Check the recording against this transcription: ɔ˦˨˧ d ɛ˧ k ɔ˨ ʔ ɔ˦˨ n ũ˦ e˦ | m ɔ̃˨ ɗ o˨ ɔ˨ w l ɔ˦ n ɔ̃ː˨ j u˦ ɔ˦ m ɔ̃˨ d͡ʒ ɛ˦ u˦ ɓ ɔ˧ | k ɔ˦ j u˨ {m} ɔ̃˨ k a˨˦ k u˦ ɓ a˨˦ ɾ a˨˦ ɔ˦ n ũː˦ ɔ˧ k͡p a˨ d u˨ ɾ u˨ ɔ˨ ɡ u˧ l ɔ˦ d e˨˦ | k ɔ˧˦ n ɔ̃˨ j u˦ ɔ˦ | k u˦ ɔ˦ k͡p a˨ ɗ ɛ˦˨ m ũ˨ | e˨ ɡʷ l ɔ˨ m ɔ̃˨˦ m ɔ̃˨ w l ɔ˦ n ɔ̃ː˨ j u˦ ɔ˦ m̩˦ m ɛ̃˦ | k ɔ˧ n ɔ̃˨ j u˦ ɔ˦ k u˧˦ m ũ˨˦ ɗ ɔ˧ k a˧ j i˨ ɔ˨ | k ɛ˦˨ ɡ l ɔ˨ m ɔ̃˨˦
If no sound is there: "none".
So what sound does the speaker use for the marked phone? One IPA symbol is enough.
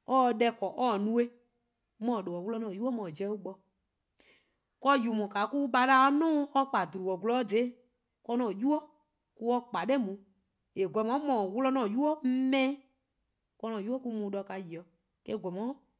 m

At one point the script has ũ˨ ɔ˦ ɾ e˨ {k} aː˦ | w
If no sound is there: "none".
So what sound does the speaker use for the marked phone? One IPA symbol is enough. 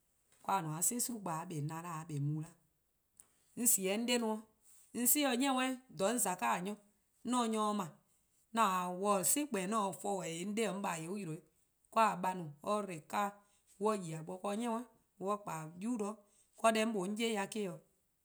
k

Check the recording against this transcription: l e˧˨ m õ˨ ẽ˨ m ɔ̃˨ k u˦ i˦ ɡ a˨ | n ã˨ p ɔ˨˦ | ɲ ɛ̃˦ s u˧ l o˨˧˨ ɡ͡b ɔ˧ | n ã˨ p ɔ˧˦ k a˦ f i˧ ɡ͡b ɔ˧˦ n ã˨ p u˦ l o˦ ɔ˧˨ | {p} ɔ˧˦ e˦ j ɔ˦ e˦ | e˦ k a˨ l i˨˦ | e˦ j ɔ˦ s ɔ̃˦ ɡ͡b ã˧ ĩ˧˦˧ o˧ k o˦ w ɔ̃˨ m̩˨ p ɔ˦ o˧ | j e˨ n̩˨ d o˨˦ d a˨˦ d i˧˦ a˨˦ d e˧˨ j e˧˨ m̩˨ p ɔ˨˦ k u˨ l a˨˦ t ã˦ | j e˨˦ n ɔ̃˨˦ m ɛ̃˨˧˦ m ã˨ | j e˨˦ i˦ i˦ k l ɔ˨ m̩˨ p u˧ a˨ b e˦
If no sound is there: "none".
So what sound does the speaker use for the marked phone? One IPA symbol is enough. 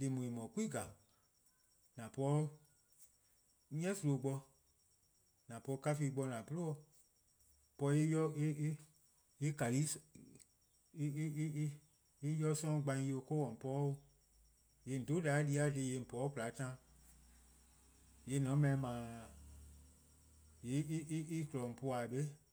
p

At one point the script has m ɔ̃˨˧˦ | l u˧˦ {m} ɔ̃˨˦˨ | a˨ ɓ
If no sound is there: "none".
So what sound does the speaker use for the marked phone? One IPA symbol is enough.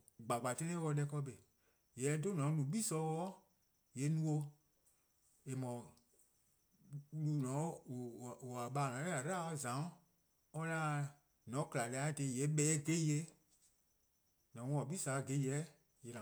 n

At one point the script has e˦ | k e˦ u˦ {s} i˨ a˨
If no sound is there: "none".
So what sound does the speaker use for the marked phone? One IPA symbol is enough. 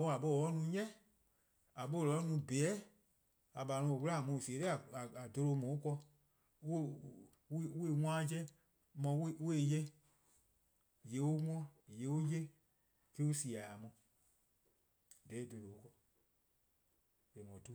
s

